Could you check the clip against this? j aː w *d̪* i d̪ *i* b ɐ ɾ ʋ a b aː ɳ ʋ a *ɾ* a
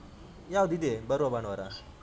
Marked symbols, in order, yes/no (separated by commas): yes, no, yes